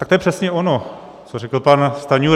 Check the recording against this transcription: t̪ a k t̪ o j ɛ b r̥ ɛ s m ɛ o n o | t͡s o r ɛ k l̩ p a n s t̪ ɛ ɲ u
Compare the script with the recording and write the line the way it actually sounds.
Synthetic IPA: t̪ a k t̪ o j ɛ p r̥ ɛ s ɲ ɛ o n o | t͡s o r ɛ k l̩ p a n s t̪ a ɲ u